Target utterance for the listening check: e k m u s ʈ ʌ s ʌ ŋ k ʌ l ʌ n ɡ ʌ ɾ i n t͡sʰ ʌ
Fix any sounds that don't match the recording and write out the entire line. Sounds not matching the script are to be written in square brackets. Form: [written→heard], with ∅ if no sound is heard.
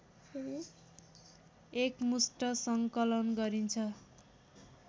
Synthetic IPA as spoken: e k m u s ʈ ʌ s ʌ ŋ k ʌ l ʌ n ɡ ʌ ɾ i n t͡sʰ ʌ